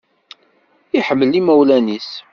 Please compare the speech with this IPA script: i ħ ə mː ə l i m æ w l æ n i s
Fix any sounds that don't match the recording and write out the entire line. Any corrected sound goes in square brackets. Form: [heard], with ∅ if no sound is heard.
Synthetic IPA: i ħ ə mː ə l i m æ w l æ n i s